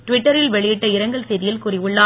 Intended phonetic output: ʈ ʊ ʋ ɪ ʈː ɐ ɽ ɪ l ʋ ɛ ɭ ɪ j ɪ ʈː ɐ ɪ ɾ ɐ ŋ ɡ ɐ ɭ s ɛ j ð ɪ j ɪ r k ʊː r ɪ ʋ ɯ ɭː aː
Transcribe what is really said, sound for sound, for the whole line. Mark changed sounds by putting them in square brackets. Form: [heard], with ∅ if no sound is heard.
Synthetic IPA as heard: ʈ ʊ ʋ ɪ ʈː ɐ [ɾ] ɪ l ʋ ɛ ɭ ɪ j ɪ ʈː ɐ ɪ ɾ ɐ ŋ ɡ ɐ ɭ s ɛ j ð ɪ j ɪ [l] k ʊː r ɪ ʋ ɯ ɭː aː